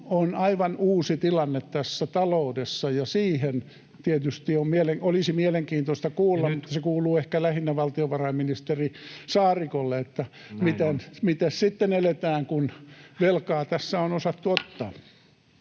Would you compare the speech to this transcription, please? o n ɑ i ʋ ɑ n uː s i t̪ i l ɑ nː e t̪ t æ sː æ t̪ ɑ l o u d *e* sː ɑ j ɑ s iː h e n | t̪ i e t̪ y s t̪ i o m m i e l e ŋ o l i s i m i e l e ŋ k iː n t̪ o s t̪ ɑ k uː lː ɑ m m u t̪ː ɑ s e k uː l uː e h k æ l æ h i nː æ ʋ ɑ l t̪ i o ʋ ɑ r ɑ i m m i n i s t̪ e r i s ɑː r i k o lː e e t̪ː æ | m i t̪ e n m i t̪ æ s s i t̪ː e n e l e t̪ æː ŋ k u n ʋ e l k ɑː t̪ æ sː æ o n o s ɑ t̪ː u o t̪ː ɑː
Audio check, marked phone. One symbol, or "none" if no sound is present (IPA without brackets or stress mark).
e